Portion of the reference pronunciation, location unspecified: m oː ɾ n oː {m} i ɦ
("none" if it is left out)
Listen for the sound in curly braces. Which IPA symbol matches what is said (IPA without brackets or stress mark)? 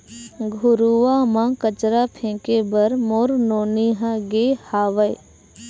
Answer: n